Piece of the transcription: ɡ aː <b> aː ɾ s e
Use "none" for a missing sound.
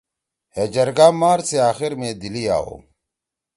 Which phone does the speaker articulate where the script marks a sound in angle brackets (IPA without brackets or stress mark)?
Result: m